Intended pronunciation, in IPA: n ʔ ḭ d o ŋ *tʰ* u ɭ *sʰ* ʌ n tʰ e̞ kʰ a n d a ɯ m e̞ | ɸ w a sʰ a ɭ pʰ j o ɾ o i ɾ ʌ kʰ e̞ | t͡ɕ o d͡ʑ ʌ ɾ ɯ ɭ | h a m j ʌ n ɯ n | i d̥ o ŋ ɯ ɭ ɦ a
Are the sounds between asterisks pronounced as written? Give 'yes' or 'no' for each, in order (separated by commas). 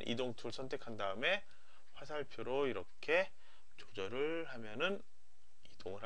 yes, yes